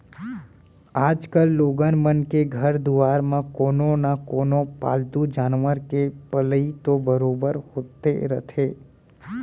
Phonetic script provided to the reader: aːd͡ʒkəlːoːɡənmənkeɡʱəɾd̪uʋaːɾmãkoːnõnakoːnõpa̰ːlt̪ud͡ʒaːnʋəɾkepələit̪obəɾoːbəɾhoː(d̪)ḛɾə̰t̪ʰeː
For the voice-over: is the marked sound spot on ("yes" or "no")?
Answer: no